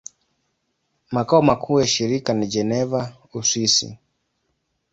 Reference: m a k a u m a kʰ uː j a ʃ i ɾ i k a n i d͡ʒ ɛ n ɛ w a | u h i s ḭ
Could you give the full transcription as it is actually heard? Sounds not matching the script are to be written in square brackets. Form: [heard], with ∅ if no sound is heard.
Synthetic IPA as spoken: m a k a [ɔ] m a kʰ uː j a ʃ i ɾ i k a n i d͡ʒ ɛ n ɛ [v] a | u [s] i s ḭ